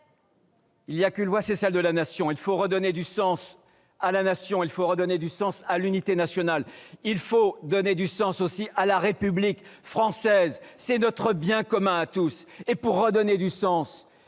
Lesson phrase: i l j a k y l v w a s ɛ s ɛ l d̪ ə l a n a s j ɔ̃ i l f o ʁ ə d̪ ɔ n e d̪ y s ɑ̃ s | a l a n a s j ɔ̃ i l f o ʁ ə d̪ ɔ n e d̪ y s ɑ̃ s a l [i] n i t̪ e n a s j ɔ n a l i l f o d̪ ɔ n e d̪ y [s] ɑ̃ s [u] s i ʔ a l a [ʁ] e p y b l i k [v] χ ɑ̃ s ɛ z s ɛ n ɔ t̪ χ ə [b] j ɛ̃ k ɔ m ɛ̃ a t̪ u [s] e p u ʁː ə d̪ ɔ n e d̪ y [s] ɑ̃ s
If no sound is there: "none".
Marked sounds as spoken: y, s, o, ʁ, f, b, s, s

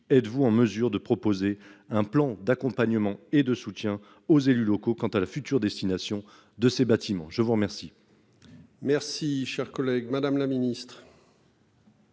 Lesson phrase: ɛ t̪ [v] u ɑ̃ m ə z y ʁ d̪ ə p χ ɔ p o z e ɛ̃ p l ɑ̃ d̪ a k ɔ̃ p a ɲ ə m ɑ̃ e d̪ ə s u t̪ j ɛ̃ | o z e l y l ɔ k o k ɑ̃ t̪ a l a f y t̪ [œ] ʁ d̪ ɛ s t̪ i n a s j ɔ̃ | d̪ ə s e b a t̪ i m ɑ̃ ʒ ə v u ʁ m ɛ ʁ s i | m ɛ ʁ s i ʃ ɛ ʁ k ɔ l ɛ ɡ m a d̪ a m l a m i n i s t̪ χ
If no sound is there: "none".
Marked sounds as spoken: v, y

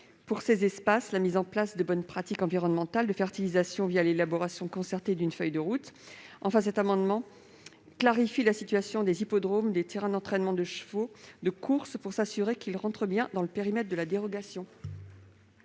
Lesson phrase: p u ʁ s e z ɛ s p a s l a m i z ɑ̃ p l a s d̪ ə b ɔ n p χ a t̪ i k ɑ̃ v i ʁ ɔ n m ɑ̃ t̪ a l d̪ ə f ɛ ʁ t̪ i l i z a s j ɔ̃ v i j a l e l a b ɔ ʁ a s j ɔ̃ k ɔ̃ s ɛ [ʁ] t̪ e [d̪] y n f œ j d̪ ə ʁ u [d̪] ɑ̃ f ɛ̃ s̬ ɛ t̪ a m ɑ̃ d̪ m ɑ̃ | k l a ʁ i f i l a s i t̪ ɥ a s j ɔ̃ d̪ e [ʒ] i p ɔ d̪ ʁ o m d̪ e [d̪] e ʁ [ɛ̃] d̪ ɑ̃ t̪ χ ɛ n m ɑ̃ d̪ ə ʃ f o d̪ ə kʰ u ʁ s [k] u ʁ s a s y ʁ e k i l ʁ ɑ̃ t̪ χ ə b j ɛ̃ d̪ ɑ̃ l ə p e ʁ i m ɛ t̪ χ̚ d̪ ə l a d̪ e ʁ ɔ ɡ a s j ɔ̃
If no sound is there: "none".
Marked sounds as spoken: ʁ, d̪, t̪, z, t̪, ɛ̃, p

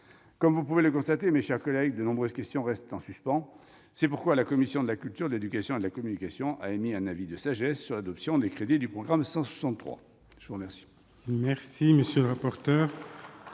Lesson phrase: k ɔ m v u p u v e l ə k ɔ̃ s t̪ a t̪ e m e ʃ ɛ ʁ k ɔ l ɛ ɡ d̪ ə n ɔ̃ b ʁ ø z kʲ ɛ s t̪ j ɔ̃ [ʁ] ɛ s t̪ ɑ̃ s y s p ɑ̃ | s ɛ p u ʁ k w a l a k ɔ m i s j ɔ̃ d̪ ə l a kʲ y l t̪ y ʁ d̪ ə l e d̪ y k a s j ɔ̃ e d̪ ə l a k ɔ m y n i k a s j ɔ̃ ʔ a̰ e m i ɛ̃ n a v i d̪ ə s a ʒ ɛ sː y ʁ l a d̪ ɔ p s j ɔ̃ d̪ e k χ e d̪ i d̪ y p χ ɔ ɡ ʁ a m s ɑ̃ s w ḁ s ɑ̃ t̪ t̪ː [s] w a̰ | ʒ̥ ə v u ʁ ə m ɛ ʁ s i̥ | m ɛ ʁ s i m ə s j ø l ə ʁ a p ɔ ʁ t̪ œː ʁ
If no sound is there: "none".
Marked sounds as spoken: ʁ, χ

